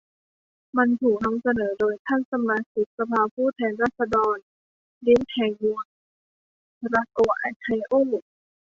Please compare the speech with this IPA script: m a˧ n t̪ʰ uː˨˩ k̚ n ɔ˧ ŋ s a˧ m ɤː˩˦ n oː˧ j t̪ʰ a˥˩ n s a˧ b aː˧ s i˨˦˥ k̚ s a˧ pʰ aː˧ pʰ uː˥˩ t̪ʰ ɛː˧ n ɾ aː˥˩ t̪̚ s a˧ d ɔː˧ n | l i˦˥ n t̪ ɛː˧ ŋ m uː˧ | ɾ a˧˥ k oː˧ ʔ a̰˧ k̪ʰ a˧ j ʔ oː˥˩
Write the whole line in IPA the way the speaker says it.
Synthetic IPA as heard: m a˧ n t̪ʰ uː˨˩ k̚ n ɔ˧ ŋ s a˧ n ɤː˩˦ d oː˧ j t̪ʰ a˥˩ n s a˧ m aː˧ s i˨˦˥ k̚ s a˧ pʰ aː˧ pʰ uː˥˩ t̪ʰ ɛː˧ n ɾ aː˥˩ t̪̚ s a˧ d ɔː˧ n | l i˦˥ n t̪ʰ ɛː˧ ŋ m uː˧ | ɾ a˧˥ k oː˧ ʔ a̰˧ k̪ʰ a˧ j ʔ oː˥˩